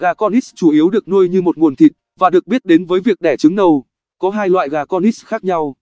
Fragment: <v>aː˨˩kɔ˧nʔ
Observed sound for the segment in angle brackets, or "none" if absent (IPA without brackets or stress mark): ɣ